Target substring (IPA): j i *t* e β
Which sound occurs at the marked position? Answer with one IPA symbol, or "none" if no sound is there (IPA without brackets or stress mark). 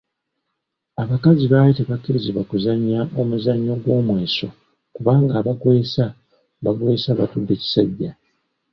t